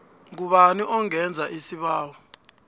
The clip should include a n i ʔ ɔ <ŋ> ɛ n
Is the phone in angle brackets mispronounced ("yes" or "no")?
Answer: no